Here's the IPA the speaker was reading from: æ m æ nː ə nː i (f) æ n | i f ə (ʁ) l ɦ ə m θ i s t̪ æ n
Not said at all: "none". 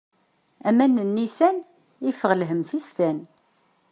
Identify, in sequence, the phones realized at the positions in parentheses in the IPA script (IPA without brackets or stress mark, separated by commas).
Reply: s, ʁ